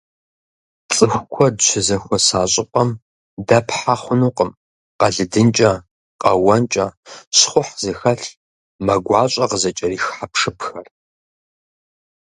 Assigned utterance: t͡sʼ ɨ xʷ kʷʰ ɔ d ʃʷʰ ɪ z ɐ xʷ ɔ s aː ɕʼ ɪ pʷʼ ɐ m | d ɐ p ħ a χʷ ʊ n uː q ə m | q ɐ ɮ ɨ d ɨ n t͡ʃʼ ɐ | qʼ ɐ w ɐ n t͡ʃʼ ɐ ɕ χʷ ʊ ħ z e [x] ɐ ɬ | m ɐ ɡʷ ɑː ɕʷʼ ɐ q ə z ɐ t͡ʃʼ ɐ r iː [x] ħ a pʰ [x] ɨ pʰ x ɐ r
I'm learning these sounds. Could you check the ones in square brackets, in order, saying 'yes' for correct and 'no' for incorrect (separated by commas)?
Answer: yes, yes, no